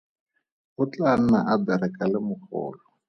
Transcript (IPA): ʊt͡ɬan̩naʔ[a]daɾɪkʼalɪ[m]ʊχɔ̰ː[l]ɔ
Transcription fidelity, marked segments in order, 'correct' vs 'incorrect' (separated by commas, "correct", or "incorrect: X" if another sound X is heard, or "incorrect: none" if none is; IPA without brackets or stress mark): correct, correct, correct